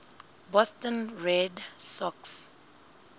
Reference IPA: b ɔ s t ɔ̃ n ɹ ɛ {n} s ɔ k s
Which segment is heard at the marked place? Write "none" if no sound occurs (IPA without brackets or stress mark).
d